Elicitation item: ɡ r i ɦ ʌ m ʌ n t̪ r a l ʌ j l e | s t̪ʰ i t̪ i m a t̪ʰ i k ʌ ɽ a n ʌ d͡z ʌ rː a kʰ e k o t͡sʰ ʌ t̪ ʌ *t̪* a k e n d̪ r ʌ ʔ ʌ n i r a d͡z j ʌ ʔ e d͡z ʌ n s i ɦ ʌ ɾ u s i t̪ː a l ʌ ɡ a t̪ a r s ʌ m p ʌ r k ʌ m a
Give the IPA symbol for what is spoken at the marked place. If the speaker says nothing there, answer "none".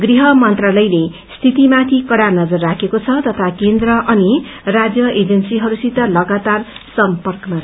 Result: t̪ʰ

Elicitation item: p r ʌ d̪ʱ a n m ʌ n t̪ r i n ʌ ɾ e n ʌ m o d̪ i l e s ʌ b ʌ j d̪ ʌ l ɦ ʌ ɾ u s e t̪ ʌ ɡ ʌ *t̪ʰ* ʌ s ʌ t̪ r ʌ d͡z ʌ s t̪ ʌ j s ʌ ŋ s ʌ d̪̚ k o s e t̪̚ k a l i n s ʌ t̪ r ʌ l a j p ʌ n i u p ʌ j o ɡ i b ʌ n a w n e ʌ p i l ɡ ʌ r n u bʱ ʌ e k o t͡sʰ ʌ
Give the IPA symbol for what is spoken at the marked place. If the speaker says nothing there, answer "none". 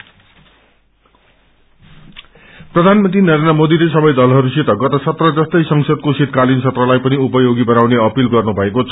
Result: t̪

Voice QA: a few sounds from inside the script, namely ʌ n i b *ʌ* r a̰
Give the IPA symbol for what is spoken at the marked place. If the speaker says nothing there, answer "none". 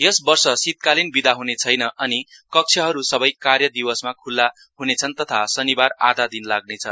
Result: a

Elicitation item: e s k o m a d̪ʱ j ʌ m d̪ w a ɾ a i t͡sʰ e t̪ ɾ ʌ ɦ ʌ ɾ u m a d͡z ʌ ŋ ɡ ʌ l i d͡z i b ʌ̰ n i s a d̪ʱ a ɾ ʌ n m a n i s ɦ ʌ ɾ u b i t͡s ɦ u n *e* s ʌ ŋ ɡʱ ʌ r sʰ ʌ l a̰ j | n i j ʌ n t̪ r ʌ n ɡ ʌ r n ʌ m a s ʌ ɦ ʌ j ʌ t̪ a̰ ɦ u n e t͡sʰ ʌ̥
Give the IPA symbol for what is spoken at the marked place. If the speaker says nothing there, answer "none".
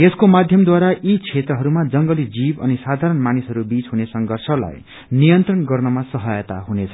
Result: e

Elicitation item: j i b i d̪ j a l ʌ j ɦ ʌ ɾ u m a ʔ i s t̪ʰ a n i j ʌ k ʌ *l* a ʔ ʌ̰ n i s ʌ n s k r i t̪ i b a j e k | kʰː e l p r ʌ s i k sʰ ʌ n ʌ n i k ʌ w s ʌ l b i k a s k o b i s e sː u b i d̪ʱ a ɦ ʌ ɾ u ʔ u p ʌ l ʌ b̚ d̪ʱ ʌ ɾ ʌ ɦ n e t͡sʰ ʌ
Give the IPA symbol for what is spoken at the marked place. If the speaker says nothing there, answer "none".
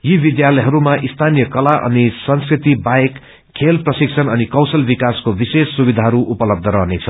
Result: l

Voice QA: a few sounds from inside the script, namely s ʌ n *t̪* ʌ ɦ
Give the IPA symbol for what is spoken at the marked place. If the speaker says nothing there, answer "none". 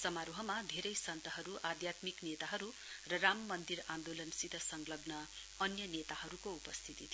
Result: t̪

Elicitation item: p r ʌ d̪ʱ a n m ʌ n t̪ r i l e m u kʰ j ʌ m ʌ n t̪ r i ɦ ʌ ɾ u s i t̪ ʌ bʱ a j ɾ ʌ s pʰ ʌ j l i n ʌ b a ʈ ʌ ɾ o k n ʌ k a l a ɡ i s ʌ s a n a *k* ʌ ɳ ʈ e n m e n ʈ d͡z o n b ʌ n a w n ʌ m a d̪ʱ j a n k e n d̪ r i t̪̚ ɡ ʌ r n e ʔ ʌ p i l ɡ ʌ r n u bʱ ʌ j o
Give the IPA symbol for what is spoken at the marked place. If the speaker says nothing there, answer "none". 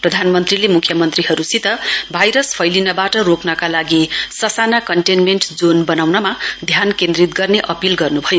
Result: k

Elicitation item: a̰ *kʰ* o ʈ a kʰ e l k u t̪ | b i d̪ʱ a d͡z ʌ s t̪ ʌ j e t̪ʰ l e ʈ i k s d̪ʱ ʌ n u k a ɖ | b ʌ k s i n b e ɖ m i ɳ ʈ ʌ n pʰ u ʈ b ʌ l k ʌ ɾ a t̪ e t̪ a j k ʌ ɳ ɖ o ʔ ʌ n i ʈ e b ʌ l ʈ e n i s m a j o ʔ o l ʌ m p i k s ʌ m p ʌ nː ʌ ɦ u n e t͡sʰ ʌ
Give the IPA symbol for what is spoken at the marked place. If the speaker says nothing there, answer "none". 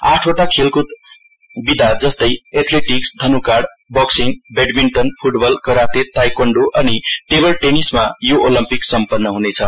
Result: ʈʰ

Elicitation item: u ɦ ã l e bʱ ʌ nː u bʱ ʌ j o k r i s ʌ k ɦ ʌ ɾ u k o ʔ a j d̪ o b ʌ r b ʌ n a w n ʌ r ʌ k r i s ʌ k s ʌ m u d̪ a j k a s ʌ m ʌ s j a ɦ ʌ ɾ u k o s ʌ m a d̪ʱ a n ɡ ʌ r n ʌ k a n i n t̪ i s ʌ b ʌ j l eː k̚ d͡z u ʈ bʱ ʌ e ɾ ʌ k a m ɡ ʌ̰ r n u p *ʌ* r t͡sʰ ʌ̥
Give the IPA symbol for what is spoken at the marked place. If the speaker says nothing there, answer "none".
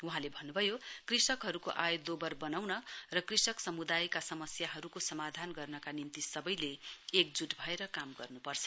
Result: ʌ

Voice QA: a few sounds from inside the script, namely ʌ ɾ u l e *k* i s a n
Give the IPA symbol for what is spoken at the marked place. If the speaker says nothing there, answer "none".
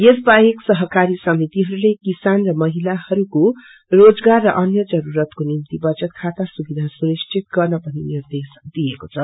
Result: k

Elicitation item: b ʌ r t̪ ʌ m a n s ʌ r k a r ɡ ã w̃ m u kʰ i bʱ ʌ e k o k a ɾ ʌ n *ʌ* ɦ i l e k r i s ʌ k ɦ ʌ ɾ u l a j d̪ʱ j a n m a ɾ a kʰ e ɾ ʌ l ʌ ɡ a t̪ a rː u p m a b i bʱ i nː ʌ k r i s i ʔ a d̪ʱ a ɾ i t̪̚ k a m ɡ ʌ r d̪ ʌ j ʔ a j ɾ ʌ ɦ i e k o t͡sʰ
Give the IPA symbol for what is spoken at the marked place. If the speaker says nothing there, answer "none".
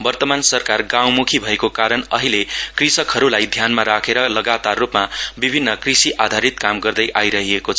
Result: ʌ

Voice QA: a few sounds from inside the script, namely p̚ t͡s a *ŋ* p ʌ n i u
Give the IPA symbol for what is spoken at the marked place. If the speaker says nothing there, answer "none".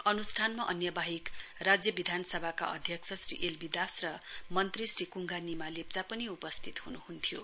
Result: none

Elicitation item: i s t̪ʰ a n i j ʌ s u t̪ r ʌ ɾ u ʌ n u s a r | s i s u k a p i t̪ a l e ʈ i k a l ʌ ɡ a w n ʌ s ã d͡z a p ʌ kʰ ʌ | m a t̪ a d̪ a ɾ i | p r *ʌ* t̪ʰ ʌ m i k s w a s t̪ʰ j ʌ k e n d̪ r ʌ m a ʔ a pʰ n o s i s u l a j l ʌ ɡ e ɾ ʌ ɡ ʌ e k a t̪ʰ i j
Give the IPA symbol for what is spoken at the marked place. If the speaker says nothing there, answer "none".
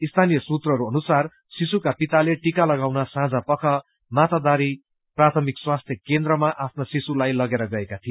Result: a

